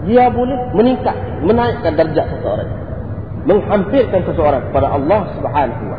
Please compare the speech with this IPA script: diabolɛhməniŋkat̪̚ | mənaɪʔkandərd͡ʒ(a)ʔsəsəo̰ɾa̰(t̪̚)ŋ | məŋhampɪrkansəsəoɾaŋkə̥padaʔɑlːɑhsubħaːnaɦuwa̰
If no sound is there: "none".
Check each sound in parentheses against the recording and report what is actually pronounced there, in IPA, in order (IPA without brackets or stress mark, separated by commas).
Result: a, none